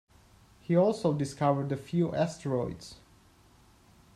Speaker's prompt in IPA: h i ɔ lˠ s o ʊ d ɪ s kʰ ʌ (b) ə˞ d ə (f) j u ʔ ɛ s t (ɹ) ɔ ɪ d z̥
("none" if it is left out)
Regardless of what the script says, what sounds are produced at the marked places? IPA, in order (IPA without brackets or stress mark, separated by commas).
v, f, ɹ